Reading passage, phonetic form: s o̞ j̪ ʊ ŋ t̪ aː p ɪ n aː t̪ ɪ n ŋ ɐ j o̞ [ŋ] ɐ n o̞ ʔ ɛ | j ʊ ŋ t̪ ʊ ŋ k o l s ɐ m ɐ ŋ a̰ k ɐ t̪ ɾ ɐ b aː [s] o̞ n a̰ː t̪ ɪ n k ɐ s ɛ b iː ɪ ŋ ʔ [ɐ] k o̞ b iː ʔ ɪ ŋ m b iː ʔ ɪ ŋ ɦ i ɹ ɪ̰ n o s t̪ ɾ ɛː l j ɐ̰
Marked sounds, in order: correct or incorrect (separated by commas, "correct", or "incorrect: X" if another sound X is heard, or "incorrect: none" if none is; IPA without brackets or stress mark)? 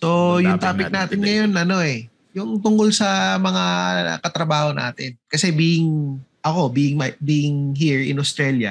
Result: incorrect: n, incorrect: h, correct